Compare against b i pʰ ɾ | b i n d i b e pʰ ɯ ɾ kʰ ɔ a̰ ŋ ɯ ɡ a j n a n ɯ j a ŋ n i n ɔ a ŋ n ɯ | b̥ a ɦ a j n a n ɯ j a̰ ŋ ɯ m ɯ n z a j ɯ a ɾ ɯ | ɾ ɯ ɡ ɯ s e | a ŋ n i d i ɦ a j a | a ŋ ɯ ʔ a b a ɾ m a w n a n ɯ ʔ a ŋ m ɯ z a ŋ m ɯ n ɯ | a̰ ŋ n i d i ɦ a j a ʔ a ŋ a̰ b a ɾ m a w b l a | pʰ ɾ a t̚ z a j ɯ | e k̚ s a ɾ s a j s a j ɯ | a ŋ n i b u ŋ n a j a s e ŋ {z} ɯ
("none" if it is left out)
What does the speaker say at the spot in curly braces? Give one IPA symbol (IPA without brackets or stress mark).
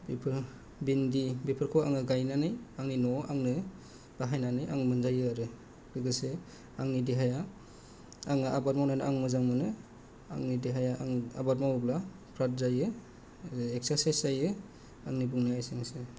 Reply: s